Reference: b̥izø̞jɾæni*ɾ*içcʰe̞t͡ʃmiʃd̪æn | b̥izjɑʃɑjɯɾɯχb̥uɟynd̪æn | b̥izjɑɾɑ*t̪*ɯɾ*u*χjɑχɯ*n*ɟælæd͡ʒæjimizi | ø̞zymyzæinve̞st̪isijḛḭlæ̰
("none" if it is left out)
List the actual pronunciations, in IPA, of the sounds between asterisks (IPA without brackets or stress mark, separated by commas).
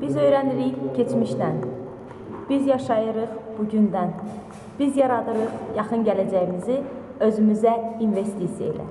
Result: ɾ, d̪, ɯ, n